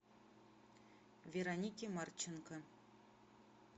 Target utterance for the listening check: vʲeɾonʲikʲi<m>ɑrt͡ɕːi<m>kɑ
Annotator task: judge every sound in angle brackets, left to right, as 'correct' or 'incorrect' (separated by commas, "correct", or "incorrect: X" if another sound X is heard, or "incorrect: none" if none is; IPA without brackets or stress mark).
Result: correct, incorrect: n